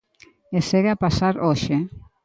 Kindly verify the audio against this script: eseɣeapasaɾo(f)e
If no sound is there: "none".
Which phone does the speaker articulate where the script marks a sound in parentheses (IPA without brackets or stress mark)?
ʃ